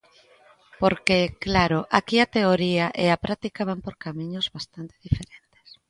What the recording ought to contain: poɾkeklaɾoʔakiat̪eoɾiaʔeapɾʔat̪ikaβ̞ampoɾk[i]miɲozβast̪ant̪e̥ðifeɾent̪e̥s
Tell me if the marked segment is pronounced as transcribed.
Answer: no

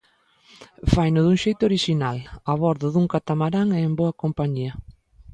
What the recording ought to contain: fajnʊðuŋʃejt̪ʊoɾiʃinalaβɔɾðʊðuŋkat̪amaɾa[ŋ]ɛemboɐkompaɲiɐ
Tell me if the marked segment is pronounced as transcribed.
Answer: yes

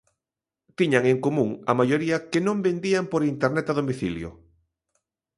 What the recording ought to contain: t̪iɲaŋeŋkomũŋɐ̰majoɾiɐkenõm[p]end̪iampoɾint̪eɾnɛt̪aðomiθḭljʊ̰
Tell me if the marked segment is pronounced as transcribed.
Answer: no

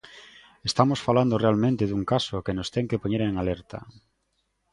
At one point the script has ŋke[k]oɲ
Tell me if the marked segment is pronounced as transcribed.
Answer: no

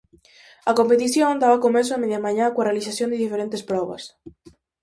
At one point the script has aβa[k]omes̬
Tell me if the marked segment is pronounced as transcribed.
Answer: yes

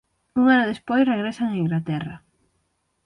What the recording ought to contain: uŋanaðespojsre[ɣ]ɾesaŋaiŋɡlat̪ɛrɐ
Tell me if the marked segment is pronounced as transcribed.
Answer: yes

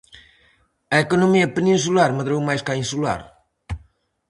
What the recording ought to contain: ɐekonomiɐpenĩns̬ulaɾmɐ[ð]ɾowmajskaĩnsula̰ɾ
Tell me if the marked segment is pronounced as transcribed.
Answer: yes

